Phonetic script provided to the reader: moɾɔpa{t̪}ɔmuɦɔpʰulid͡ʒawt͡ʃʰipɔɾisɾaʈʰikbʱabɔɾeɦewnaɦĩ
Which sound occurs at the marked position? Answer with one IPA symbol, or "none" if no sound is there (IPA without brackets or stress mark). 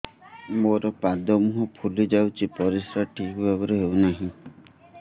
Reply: d̪